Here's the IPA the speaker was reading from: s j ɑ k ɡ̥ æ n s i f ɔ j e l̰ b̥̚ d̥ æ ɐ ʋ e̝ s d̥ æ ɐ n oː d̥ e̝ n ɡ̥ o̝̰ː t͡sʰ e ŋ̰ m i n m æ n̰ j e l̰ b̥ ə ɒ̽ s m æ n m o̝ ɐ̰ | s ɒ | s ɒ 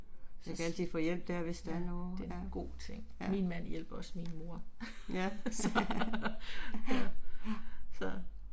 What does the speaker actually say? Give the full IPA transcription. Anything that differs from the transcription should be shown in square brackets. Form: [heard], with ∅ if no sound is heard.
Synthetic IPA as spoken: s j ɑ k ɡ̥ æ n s i f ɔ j e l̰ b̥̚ d̥ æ ɐ ʋ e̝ s d̥ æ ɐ n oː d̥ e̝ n ɡ̥ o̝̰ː t͡sʰ e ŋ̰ m i n m æ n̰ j e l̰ b̥ [ɐ] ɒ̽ s m [i] n m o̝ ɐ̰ | s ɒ | s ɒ